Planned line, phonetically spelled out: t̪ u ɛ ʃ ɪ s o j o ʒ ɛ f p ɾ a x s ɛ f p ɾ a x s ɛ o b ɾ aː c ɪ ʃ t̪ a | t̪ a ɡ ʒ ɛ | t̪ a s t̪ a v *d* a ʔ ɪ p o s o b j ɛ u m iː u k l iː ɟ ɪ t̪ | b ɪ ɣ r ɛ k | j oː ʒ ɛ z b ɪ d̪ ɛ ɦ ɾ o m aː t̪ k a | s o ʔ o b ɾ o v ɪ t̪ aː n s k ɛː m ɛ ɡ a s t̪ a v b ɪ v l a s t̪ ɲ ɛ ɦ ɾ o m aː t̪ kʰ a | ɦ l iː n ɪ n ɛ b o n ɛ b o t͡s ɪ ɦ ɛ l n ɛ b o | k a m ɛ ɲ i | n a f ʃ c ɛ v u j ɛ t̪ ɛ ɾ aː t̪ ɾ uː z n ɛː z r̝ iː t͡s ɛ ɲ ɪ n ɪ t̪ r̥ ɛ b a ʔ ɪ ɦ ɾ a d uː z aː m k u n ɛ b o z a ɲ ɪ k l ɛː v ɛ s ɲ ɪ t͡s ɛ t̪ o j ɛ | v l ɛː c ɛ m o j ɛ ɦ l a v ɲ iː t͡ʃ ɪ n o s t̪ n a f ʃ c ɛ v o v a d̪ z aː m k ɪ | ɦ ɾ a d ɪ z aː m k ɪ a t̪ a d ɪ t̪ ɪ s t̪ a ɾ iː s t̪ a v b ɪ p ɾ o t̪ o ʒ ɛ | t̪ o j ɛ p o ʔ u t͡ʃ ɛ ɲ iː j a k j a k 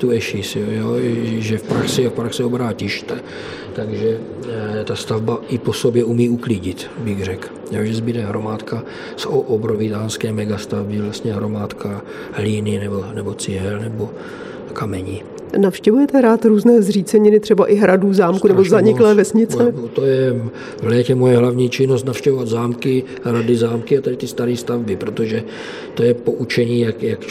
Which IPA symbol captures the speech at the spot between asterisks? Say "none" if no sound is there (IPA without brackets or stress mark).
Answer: b